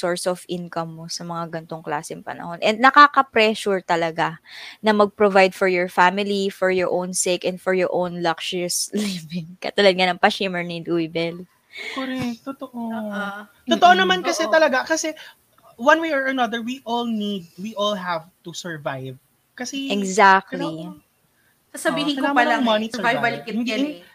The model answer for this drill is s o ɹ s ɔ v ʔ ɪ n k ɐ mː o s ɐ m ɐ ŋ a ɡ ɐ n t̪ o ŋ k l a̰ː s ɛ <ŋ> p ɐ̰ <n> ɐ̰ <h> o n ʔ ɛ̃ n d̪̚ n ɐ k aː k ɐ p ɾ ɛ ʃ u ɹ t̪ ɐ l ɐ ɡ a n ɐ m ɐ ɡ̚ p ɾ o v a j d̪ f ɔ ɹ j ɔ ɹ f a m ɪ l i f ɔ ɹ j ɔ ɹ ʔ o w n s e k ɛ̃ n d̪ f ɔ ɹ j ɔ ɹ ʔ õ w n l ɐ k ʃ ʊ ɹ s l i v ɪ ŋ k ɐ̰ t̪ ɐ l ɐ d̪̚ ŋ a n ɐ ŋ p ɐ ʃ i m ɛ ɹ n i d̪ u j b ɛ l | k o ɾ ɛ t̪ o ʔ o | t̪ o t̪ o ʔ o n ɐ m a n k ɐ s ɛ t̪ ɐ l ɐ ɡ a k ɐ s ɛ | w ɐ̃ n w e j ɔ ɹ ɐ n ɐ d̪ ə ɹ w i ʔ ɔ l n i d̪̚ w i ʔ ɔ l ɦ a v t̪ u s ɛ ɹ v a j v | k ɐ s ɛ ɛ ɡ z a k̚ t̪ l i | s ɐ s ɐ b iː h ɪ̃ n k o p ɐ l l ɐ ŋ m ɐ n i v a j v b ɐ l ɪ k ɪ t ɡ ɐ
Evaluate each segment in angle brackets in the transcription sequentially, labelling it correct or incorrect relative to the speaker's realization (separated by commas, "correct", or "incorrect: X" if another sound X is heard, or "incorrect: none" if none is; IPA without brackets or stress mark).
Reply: correct, correct, correct